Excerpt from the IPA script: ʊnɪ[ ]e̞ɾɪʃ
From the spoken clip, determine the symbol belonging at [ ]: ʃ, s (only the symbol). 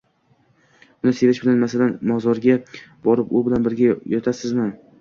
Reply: s